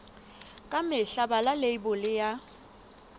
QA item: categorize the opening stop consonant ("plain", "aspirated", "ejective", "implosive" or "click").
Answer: ejective